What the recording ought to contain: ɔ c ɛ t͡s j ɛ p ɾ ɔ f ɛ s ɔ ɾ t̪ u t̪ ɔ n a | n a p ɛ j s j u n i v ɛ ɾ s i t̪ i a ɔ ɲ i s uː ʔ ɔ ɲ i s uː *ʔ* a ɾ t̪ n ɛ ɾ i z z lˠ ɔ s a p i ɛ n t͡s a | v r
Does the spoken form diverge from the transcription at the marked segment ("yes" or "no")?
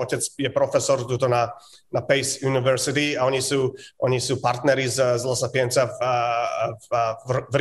yes